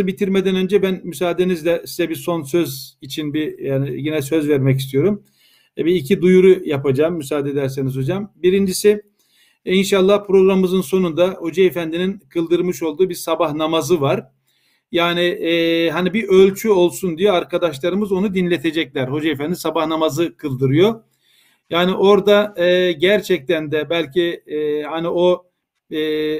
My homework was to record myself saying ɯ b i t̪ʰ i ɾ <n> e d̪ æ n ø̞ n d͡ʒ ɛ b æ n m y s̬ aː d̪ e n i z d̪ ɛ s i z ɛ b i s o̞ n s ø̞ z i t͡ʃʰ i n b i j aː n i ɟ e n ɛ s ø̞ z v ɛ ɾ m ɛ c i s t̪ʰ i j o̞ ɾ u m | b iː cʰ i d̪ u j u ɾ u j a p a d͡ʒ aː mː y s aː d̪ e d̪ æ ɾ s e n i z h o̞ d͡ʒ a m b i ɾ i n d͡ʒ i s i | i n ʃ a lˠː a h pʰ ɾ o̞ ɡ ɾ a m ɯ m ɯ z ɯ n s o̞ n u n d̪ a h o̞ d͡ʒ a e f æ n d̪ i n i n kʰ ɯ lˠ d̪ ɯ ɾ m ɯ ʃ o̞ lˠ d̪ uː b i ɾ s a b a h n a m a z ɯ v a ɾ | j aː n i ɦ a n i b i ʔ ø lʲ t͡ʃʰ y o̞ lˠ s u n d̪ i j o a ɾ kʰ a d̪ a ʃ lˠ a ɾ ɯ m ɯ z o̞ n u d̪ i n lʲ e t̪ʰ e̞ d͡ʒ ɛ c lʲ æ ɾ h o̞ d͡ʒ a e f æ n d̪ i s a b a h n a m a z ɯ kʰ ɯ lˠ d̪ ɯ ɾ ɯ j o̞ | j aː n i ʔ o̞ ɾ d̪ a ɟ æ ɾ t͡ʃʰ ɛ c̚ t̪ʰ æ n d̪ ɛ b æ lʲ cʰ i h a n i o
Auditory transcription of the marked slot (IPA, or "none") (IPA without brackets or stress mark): m